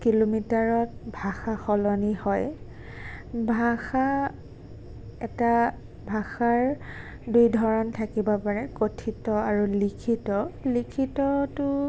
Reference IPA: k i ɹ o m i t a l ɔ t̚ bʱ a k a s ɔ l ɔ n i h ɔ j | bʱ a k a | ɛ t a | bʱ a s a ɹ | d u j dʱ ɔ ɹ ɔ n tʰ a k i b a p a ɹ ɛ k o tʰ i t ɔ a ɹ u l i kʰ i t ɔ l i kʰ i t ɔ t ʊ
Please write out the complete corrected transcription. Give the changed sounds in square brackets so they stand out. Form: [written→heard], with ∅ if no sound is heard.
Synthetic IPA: k i [ɹ→l] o m i t a [l→ɹ] ɔ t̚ bʱ a [k→x] a [s→x] ɔ l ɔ n i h ɔ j | bʱ a [k→x] a | ɛ t a | bʱ a [s→x] a ɹ | d u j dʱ ɔ ɹ ɔ n tʰ a k i b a p a ɹ ɛ k o tʰ i t ɔ a ɹ u l i kʰ i t ɔ l i kʰ i t ɔ t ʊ